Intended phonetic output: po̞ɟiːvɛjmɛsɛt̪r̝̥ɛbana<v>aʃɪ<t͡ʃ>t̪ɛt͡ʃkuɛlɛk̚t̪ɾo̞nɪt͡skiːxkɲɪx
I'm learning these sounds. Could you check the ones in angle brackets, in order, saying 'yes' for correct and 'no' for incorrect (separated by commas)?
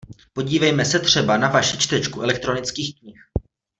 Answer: yes, yes